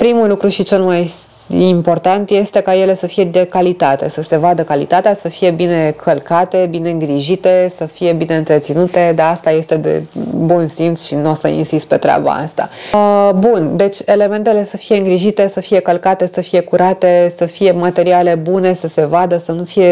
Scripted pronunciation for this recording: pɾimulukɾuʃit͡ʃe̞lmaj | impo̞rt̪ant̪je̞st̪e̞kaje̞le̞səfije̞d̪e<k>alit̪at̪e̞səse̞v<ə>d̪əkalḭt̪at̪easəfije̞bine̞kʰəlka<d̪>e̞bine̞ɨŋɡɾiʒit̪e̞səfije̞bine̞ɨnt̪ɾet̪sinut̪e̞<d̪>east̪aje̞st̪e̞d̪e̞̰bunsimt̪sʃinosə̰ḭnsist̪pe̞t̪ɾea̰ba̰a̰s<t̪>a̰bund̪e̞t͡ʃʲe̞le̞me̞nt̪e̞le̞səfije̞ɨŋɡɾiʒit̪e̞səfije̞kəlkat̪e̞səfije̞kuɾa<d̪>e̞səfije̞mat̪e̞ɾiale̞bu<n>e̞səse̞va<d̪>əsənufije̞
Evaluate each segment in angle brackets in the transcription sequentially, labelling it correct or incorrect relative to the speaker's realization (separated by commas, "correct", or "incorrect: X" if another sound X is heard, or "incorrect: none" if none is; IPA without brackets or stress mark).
correct, incorrect: a, incorrect: t̪, correct, correct, incorrect: t̪, correct, correct